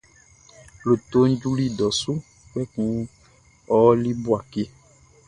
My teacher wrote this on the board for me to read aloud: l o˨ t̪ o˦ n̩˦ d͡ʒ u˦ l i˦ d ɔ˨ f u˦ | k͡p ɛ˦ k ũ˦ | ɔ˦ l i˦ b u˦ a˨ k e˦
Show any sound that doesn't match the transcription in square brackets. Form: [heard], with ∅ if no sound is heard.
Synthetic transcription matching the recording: l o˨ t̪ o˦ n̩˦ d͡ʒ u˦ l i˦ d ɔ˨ [s] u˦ | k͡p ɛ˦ k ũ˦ | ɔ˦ l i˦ b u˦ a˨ k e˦